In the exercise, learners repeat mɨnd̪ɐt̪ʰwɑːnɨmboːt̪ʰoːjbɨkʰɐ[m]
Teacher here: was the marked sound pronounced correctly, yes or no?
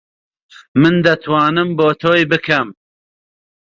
yes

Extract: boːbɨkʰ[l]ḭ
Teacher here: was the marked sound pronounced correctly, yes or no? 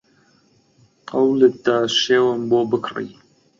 no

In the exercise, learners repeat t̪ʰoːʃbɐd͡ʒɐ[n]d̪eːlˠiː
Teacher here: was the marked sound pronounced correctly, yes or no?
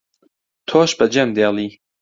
no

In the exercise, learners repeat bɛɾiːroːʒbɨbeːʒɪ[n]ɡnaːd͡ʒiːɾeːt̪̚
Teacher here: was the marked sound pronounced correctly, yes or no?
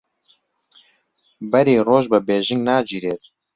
no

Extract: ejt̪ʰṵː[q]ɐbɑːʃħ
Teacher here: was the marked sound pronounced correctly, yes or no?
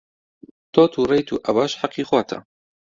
no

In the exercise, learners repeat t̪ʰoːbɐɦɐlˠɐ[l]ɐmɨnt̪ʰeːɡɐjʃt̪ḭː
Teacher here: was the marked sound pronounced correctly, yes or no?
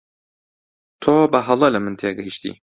yes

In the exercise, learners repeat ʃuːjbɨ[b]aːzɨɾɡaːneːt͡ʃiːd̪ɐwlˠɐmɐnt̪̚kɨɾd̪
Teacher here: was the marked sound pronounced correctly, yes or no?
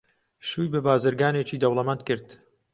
yes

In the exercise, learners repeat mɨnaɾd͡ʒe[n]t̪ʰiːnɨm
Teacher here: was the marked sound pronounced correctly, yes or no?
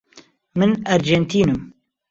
yes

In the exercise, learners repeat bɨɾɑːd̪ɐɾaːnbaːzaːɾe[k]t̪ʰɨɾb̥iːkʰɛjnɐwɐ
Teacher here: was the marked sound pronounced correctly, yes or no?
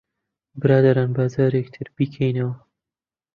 yes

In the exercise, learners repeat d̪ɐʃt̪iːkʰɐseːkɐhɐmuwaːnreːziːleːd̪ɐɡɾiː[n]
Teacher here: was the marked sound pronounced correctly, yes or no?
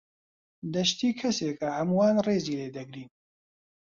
yes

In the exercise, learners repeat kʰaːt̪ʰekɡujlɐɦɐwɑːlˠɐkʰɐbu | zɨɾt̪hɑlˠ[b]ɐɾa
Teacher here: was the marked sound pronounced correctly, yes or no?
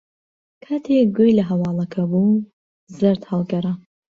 no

